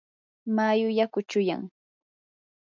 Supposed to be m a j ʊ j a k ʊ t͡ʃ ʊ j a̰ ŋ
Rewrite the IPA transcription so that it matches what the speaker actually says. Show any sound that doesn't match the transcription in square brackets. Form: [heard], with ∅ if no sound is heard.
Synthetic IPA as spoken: m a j ʊ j a k ʊ t͡ʃ ʊ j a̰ ŋ